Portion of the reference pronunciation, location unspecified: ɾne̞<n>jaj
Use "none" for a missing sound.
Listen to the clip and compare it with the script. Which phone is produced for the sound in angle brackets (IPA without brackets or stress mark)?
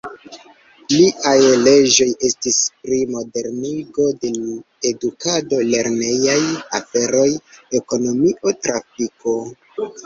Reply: none